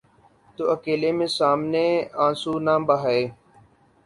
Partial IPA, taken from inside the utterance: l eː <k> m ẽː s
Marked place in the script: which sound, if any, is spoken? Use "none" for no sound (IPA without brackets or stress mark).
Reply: none